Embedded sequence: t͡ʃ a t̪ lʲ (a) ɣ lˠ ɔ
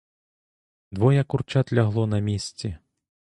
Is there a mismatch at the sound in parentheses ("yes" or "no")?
no